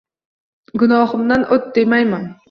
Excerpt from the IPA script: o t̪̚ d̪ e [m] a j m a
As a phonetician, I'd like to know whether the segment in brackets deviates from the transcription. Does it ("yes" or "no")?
no